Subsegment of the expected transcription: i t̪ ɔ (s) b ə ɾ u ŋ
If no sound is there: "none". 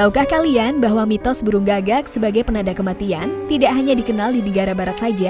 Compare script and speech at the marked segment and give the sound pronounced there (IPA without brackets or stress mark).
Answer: s